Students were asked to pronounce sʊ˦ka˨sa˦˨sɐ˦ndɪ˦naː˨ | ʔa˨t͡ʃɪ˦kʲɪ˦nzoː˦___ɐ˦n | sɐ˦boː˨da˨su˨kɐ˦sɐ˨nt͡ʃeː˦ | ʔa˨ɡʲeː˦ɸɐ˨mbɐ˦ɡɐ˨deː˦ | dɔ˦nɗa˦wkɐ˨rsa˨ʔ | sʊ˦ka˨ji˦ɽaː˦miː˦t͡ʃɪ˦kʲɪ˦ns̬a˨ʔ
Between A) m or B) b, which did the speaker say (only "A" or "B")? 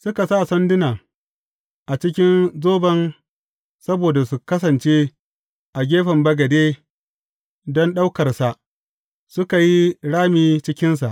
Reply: B